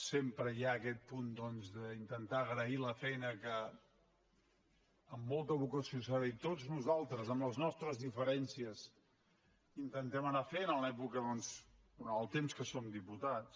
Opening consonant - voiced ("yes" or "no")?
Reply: no